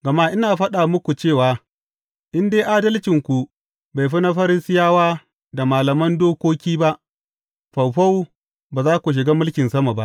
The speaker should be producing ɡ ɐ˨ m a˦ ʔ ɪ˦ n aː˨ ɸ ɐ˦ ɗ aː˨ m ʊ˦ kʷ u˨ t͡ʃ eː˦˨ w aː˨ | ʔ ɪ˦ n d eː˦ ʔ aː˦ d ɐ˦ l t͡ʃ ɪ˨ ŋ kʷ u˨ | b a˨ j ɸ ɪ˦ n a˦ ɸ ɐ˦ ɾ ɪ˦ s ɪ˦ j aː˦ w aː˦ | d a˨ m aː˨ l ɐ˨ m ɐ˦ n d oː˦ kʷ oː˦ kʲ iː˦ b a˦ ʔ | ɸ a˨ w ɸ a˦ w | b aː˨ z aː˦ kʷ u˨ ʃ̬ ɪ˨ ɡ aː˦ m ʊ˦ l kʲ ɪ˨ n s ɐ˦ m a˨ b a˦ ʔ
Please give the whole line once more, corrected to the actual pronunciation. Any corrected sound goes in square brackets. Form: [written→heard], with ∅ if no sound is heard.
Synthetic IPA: ɡ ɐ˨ m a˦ ʔ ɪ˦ n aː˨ ɸ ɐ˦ ɗ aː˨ m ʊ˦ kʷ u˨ t͡ʃ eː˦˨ w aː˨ | ʔ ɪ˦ n d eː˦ ʔ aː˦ d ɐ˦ l t͡ʃ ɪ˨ ŋ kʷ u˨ | b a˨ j ɸ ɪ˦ n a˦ ɸ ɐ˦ ɾ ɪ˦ s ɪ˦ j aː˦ w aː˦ | d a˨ m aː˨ l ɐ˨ m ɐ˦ n d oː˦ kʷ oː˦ kʲ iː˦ b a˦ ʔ | ɸ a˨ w ɸ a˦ w | b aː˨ z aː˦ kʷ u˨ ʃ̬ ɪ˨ ɡ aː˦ m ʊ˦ l kʲ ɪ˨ n s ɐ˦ m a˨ b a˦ ʔ